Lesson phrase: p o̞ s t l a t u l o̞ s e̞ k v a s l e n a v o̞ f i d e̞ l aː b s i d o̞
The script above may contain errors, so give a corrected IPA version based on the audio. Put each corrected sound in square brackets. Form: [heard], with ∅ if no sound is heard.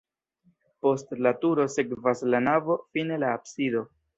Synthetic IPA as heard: p o̞ s t l a t u [ɾ] o̞ s e̞ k v a s l [a] n a v o̞ f i [n] e̞ l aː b s i d o̞